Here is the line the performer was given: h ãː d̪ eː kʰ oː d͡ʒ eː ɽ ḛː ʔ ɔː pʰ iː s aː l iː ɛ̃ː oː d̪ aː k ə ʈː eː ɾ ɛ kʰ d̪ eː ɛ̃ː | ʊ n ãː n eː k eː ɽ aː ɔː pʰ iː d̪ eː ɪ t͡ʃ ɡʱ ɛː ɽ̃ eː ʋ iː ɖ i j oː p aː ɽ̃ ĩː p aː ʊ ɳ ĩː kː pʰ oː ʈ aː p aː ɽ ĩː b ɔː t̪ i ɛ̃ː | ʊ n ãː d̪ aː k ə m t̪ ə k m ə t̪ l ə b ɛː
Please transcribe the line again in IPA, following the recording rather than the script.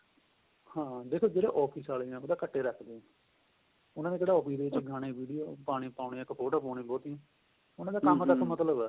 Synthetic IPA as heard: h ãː d̪ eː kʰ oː d͡ʒ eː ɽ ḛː ʔ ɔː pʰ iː s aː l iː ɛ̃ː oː d̪ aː k ə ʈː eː ɾ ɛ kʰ d̪ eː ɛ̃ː | ʊ n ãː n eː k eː ɽ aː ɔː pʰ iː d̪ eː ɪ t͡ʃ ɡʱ aː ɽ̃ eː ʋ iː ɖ i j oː p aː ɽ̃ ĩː p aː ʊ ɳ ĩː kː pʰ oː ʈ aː p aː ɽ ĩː b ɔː t̪ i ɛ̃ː | ʊ n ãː d̪ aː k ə m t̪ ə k m ə t̪ l ə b ɛː